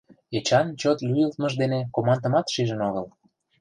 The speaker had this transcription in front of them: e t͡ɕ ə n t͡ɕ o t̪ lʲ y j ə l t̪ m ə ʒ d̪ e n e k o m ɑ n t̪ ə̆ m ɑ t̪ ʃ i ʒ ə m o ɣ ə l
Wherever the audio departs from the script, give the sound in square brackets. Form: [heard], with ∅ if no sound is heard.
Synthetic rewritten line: e t͡ɕ [ɑ] n t͡ɕ o t̪ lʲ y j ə l t̪ m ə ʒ d̪ e n e k o m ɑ n [d̪] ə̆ m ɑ t̪ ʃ i ʒ ə [n] o ɣ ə l